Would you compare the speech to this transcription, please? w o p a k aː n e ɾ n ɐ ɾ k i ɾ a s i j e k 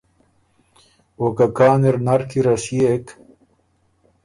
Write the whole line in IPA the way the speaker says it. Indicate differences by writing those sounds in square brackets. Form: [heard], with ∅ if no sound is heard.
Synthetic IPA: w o [k] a k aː n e ɾ n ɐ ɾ k i ɾ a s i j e k